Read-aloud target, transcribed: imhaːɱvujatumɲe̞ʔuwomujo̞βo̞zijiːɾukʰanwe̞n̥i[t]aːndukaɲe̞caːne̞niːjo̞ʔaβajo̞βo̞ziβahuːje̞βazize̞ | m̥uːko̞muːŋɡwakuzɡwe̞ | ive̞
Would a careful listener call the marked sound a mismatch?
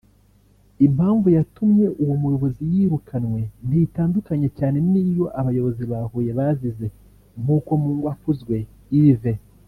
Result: no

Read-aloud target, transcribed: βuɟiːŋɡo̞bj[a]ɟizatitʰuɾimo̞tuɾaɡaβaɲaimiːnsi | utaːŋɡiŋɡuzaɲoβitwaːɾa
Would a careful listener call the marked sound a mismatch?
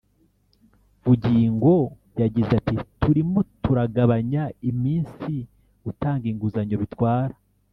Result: no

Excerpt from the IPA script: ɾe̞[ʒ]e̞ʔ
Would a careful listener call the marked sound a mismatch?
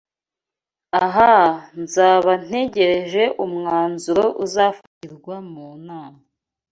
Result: no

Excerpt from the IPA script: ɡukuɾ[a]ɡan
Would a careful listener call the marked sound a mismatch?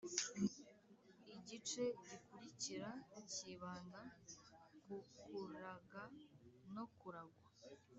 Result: no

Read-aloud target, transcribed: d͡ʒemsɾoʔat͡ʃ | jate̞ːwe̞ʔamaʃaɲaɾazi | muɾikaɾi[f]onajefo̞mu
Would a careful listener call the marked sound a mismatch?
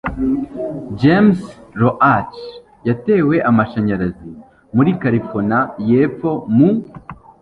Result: no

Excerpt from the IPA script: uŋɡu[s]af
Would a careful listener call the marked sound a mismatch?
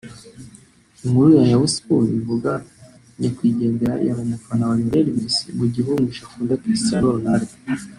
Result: yes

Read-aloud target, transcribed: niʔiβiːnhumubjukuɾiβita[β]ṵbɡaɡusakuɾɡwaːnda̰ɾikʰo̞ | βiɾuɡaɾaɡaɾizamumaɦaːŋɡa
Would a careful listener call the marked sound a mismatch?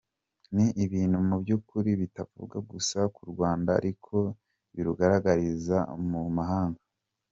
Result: yes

